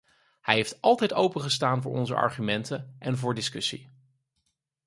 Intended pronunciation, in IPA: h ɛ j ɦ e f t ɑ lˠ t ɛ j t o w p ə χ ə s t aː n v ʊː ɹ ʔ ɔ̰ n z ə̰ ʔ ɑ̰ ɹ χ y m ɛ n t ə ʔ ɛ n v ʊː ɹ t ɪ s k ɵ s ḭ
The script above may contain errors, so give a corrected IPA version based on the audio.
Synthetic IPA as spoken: h ɛ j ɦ e f t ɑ lˠ t ɛ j t o w p ə χ ə s t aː n v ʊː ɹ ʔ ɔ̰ n z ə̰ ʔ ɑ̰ ɹ χ y m ɛ n t ə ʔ ɛ n v ʊː ɹ d ɪ s k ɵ s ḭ